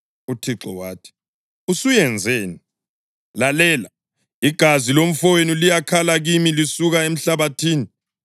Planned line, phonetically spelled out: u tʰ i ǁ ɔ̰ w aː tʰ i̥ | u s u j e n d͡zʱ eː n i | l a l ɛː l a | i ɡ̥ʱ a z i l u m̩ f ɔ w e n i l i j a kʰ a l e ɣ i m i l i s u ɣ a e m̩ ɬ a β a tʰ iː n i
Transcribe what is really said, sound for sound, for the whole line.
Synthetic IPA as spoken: u tʰ i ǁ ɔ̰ w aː tʰ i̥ | u s u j ɛ n d͡zʱ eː n i | l a l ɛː l a | i ɡ̥ʱ a z i l o m̩ f ɔ w e n i l i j a kʰ a l a ɣ i m i l i s u ɣ a e m̩ ɬ a β a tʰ iː n i

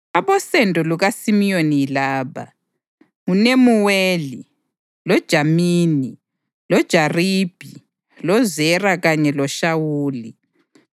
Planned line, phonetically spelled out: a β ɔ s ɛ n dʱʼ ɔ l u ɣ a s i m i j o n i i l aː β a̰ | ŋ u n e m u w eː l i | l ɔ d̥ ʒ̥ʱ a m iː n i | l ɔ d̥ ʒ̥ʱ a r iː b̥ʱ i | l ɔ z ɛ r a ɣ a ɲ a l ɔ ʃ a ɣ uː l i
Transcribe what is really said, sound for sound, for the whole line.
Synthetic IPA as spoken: a β ɔ s ɛ n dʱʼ ɔ l u ɣ a s i m i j o n i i l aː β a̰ | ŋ u n e m u w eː l i | l ɔ d̥ ʒ̥ʱ a m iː n i | l ɔ d̥ ʒ̥ʱ a r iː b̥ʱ i | l ɔ z ɛ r a ɣ a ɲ ɛ l ɔ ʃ a w uː l i

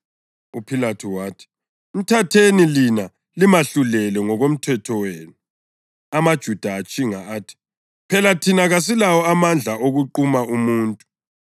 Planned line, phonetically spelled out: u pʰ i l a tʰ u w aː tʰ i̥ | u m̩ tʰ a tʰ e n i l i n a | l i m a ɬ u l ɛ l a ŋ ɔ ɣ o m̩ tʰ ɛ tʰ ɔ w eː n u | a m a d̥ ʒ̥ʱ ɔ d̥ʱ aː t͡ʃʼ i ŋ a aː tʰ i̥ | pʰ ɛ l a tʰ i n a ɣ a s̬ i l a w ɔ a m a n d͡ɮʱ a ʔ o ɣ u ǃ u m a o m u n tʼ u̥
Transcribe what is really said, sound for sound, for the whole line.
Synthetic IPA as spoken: u pʰ i l a tʰ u w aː tʰ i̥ | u m̩ tʰ a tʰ e n i l i n a | l i m a ɬ u l ɛ l ɛ ŋ ɔ ɣ o m̩ tʰ ɛ tʰ ɔ w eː n u | a m a d̥ ʒ̥ʱ u d̥ʱ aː t͡ʃʼ i ŋ a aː tʰ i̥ | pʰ ɛ l a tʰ i n a ɣ a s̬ i l a w ɔ a m a n d͡ɮʱ a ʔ o ɣ u ǃ u m a u m uː n tʼ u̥

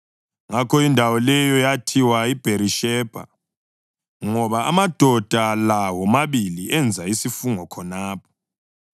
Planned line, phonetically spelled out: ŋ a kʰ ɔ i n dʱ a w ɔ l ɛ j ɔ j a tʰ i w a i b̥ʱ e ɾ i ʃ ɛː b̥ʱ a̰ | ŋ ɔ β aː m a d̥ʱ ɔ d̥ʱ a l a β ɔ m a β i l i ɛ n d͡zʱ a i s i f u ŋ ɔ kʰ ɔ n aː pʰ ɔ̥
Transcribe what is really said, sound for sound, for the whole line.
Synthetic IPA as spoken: ŋ a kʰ ɔ i n dʱ a w ɔ l ɛ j ɔ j a tʰ i w a i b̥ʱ e ɾ i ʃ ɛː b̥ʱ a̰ | ŋ ɔ β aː m a d̥ʱ ɔ d̥ʱ a l a w ɔ m a β i l i ɛ n d͡zʱ a i s i f u ŋ ɔ kʰ ɔ n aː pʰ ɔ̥

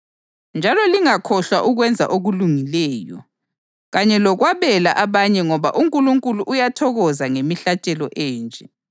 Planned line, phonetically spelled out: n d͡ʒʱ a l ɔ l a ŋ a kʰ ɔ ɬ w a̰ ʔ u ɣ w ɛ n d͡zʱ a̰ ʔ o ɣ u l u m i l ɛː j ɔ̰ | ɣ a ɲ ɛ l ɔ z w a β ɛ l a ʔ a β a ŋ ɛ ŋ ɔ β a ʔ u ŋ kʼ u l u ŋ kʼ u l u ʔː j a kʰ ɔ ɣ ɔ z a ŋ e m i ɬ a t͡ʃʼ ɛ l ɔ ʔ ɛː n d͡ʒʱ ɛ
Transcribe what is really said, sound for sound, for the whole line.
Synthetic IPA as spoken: n d͡ʒʱ a l ɔ l i ŋ a kʰ ɔ ɬ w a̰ ʔ u ɣ w ɛ n d͡zʱ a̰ ʔ o ɣ u l u ŋ i l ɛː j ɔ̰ | ɣ a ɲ ɛ l ɔ ɣ w a β ɛ l a ʔ a β a ɲ ɛ ŋ ɔ β a ʔ u ŋ kʼ u l u ŋ kʼ u l u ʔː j a tʰ ɔ ɣ ɔ z a ŋ e m i ɬ a t͡ʃʼ ɛ l ɔ ʔ ɛː n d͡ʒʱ ɛ

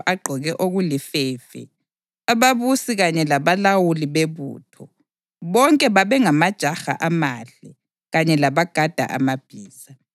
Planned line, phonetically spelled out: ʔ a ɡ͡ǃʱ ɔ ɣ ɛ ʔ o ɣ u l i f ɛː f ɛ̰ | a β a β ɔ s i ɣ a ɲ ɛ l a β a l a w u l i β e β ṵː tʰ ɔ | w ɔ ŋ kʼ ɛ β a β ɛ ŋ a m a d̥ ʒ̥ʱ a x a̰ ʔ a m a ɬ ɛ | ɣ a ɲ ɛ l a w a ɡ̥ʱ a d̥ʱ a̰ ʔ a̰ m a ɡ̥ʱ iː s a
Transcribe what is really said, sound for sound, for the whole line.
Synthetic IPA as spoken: ʔ a ɡ͡ǃʱ ɔ ɣ ɛ ʔ o ɣ u l i f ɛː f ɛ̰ | a β a β u s i ɣ a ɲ ɛ l a β a l a w u l i β e β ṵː tʰ ɔ | β ɔ ŋ kʼ ɛ β a β ɛ ŋ a m a d̥ ʒ̥ʱ a x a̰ ʔ a m a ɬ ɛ | ɣ a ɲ ɛ l a β a ɡ̥ʱ a d̥ʱ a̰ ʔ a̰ m a b̥ʱ iː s a

